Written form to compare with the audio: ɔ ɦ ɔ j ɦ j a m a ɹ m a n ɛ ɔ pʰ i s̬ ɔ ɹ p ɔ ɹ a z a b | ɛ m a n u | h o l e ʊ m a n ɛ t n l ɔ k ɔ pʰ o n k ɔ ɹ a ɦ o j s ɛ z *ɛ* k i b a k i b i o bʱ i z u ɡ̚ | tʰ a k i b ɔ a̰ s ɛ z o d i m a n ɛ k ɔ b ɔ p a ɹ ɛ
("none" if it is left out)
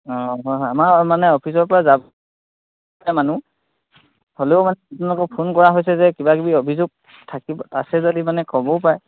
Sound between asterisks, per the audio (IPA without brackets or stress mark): ɛ